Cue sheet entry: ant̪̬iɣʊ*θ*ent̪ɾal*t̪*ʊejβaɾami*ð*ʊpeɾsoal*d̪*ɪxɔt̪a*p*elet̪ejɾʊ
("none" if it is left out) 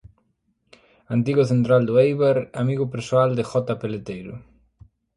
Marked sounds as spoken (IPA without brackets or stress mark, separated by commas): θ, d̪, ɣ, d̪, p